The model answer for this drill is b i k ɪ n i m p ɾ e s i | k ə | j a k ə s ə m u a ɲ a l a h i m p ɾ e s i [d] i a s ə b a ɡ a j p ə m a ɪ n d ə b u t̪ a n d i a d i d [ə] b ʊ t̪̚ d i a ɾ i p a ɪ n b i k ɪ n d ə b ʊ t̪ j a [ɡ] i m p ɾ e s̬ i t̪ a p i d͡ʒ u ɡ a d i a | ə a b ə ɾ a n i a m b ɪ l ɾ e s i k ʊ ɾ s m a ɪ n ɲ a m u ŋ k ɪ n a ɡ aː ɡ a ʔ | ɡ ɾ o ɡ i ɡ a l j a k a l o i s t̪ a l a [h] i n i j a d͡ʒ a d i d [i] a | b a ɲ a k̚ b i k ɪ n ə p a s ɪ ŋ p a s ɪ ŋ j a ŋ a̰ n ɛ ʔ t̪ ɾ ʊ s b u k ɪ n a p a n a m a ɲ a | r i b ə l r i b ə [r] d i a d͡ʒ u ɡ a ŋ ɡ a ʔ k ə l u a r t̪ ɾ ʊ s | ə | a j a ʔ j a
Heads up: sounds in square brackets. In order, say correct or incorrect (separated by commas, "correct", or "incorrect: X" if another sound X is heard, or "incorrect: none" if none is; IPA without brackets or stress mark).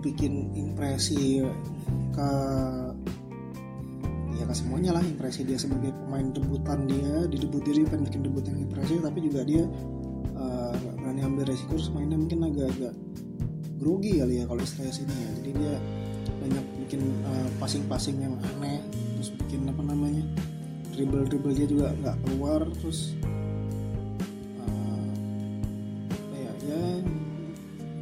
correct, correct, incorrect: ŋ, incorrect: s, correct, incorrect: l